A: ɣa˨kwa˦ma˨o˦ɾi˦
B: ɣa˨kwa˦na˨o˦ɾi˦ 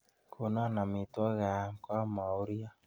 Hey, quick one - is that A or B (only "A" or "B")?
A